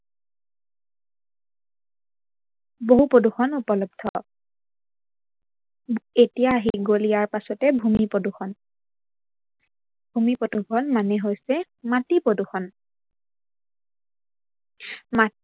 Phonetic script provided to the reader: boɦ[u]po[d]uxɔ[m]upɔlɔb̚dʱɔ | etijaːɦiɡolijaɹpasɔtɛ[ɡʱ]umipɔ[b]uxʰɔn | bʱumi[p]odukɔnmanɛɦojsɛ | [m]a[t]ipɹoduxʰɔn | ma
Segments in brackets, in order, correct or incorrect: correct, correct, incorrect, incorrect, incorrect, correct, correct, correct

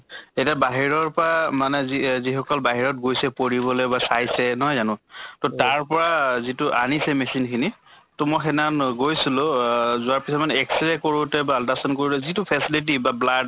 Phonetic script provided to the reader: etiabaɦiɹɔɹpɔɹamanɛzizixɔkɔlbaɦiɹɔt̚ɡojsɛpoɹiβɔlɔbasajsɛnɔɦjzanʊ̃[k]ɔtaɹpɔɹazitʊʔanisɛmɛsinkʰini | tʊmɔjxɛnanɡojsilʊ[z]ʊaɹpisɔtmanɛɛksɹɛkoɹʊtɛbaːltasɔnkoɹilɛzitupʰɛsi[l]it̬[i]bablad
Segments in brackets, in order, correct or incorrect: incorrect, correct, correct, correct

